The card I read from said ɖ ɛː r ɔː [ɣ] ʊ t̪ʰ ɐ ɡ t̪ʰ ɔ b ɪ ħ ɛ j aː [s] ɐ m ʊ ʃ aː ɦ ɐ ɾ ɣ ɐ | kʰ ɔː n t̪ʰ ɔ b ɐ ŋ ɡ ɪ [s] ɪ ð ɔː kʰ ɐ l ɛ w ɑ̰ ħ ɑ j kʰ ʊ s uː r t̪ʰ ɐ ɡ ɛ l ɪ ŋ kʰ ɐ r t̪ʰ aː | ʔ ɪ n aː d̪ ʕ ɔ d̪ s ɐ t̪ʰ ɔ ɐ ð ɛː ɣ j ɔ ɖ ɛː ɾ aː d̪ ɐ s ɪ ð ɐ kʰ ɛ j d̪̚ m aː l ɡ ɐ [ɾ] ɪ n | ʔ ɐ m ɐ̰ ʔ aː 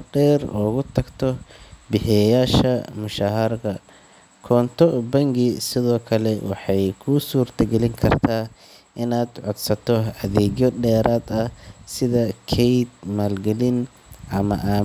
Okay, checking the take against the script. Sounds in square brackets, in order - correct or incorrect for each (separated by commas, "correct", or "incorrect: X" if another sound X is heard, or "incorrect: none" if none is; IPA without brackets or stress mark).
correct, incorrect: ʃ, correct, incorrect: l